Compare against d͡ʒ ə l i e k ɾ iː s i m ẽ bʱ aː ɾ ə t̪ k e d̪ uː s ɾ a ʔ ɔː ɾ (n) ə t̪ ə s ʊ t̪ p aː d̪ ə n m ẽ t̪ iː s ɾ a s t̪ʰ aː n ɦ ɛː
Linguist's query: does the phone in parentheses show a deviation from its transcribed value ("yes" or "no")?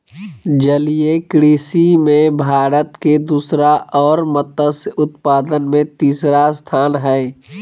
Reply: yes